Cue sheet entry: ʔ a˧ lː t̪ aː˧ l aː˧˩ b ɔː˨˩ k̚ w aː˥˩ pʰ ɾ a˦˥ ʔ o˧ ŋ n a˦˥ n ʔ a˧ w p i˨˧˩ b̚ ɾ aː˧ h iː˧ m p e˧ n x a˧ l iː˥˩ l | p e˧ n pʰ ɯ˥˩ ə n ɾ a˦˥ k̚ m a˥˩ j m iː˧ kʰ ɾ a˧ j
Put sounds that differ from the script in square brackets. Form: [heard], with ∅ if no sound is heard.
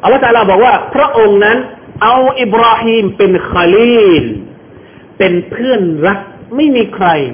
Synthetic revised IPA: ʔ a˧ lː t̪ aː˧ l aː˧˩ b ɔː˨˩ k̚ w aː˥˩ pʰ ɾ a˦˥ ʔ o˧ ŋ n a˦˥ n ʔ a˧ w [ʔ] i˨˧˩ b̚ ɾ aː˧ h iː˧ m p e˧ n x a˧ l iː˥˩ l | p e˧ n pʰ ɯ˥˩ ə n ɾ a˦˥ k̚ m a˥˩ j m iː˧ kʰ ɾ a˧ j